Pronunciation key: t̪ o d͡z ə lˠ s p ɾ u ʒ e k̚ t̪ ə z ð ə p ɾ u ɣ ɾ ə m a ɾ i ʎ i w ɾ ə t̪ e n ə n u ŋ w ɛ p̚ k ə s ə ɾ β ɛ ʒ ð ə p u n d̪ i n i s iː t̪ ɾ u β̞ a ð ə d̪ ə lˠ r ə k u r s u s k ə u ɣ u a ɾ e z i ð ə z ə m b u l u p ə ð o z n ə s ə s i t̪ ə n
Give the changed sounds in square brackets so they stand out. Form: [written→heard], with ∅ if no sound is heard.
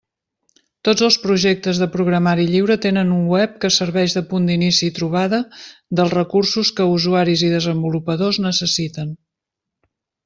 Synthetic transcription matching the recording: t̪ o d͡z ə lˠ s p ɾ u ʒ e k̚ t̪ ə z ð ə p ɾ u ɣ ɾ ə m a ɾ i ʎ i w ɾ ə t̪ e n ə n u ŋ w ɛ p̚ k ə s ə ɾ β ɛ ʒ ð ə p u n d̪ i n i s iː t̪ ɾ u β̞ a ð ə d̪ ə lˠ r ə k u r s u s k ə u [ɣ→z] u a ɾ [e→i] z i ð ə z ə m b u l u p ə ð o z n ə s ə s i t̪ ə n